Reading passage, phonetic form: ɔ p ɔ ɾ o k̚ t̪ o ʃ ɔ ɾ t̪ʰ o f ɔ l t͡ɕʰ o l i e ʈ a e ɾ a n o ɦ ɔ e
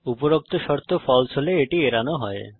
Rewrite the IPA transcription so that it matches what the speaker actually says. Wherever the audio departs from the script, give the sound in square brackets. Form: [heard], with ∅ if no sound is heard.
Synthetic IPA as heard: [u] p [o] ɾ o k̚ t̪ o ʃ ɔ ɾ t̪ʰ o f ɔ l t͡ɕʰ o l [e] e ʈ [i] e ɾ a n o ɦ ɔ e